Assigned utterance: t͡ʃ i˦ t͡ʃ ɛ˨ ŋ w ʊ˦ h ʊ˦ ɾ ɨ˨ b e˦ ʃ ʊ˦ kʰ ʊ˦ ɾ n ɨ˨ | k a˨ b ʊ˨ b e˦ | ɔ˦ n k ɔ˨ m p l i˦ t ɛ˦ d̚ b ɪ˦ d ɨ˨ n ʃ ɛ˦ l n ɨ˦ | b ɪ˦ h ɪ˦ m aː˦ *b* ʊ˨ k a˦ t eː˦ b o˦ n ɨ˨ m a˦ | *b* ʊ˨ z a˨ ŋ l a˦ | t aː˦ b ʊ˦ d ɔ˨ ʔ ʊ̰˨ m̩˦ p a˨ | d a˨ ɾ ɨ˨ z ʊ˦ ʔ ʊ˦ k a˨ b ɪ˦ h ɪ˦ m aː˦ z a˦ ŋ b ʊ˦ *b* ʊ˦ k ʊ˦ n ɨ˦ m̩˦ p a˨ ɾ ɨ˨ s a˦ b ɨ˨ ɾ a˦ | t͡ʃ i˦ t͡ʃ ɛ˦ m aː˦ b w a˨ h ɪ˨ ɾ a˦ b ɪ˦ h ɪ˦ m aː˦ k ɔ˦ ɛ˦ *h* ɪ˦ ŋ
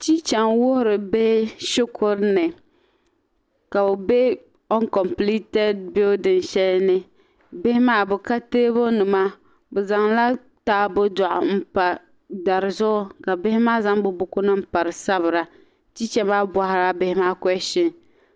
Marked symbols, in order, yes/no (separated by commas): yes, yes, yes, no